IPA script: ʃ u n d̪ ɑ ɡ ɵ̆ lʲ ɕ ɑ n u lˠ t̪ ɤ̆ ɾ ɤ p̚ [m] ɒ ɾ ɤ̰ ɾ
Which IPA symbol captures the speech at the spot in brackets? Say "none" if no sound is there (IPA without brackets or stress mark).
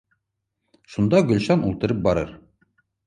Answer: b